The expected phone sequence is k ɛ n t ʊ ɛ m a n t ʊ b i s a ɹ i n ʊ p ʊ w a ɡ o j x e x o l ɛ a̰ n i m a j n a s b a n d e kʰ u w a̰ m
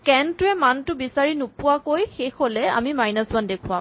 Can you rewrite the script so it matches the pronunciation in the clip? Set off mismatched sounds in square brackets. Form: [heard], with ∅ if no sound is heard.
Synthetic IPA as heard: k ɛ n t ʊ ɛ m a n t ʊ b i s a ɹ i n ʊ p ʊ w a [k] o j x e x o l ɛ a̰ [m] i m a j n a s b a n d e kʰ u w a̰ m